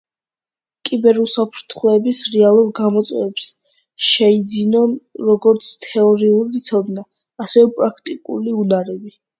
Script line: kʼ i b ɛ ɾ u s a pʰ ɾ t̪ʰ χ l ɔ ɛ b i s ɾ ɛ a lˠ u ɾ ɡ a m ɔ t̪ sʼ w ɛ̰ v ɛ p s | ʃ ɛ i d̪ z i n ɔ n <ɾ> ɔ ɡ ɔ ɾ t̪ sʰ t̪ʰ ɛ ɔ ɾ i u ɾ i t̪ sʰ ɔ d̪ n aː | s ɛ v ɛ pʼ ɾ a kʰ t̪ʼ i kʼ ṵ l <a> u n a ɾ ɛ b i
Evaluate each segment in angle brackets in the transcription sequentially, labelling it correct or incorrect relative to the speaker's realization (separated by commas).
correct, incorrect